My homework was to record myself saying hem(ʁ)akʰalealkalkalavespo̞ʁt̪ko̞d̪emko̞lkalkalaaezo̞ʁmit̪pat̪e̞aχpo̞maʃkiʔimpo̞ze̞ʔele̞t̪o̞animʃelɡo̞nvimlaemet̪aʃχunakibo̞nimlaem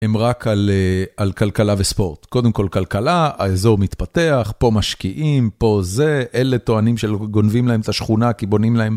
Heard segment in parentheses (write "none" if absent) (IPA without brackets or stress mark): ʁ